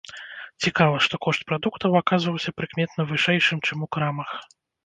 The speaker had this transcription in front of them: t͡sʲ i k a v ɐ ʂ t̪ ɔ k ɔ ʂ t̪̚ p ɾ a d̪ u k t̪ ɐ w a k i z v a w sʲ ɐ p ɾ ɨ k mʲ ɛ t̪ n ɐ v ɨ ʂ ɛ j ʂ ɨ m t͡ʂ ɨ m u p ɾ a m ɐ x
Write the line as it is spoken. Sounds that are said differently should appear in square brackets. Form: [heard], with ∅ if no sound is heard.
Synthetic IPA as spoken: t͡sʲ i k a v ɐ ʂ t̪ ɔ k ɔ ʂ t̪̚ p ɾ a d̪ u k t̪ ɐ w a k [a] z v [ɐ] w sʲ ɐ p ɾ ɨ k mʲ ɛ t̪ n ɐ v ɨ ʂ ɛ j ʂ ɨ m t͡ʂ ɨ m u [k] ɾ a m ɐ x

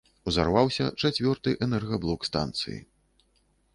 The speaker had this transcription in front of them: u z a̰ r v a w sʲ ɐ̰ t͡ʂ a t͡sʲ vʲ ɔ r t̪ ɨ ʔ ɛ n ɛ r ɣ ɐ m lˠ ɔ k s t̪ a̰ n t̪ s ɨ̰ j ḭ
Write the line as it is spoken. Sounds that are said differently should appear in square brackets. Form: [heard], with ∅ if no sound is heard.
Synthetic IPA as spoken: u z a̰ r v a w sʲ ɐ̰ t͡ʂ a t͡sʲ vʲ ɔ r t̪ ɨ ʔ ɛ n ɛ r ɣ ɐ [b] lˠ ɔ k s t̪ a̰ n t̪ s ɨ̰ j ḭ

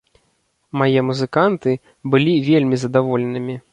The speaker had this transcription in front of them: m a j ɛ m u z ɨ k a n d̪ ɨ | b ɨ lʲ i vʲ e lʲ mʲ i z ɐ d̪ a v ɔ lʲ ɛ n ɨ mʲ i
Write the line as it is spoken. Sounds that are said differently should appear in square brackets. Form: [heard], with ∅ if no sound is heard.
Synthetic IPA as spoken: m a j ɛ m u z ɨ k a n [t̪] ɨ | b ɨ lʲ i vʲ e lʲ mʲ i z ɐ d̪ a v ɔ lʲ ɛ n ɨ mʲ i

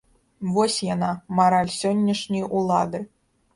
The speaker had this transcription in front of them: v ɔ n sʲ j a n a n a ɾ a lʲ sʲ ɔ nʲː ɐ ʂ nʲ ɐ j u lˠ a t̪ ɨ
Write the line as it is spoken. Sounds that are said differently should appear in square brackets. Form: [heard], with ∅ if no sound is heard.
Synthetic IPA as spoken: v ɔ [∅] sʲ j a n a [m] a ɾ a lʲ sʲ ɔ nʲː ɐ ʂ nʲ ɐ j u lˠ a [d̪] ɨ

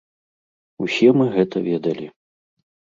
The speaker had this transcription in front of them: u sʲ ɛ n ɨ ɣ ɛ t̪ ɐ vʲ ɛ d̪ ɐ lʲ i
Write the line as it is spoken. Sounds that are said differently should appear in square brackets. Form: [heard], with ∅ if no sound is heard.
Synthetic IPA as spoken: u sʲ ɛ [m] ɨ ɣ ɛ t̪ ɐ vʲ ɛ d̪ ɐ lʲ i

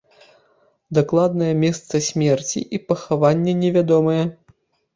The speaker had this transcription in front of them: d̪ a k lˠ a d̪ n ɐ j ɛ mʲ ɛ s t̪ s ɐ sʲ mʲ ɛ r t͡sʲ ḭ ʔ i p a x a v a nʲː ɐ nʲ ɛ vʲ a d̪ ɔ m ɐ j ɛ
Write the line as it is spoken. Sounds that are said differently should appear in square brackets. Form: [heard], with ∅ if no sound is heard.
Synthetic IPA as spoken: d̪ a k lˠ a d̪ n ɐ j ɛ mʲ ɛ s t̪ s ɐ sʲ mʲ ɛ r t͡sʲ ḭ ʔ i p [ɐ] x a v a nʲː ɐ nʲ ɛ vʲ a d̪ ɔ m ɐ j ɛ

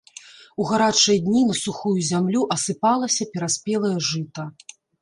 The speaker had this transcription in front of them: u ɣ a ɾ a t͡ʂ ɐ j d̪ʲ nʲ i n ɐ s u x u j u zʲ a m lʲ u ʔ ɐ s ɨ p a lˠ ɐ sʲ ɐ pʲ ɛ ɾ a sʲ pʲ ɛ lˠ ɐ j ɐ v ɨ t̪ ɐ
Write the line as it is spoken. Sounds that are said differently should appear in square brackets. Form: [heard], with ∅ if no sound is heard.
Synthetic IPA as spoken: u ɣ a ɾ a t͡ʂ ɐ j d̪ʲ nʲ i n ɐ s u x u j u zʲ a m lʲ u ʔ ɐ s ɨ p a lˠ ɐ sʲ ɐ pʲ ɛ ɾ a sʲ pʲ ɛ lˠ ɐ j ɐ [ʐ] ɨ t̪ ɐ

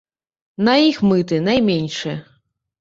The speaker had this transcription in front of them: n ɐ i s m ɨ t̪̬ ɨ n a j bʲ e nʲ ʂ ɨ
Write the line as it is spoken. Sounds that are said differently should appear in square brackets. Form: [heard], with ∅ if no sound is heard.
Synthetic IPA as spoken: n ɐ i [x] m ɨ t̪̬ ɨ n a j [mʲ] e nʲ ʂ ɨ

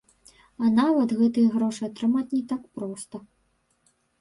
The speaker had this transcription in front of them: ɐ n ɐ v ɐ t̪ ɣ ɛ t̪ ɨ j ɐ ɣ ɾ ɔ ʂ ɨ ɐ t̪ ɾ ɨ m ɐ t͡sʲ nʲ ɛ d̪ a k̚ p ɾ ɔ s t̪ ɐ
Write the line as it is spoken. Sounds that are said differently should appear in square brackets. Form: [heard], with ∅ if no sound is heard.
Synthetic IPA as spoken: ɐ n [a] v ɐ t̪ ɣ ɛ t̪ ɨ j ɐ ɣ ɾ ɔ ʂ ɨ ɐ t̪ ɾ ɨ m [a] t͡sʲ nʲ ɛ [t̪] a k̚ p ɾ ɔ s t̪ ɐ

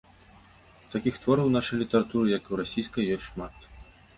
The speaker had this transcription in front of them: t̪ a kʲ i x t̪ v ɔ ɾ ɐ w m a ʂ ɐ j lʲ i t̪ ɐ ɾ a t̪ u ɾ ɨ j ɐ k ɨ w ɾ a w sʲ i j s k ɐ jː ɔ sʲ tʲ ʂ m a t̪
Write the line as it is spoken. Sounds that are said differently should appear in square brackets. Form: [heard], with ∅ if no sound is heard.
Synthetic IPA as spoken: t̪ a kʲ i x t̪ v ɔ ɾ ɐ w [n] a ʂ ɐ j lʲ i t̪ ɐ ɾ a t̪ u ɾ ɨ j ɐ k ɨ w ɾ a [∅] sʲ i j s k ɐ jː ɔ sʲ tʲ ʂ m a t̪

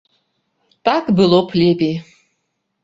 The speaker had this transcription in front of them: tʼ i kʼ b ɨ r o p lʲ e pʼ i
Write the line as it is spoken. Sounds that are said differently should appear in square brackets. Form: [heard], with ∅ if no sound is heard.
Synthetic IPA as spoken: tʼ [a] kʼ b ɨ [l] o [pʰ] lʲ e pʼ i

